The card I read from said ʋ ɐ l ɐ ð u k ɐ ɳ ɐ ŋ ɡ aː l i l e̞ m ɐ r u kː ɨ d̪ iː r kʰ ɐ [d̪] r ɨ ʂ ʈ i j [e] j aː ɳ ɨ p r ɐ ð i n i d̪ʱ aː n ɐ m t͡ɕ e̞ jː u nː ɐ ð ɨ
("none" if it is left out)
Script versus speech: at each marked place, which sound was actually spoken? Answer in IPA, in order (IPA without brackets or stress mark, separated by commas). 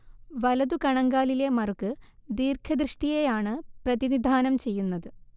d̪, e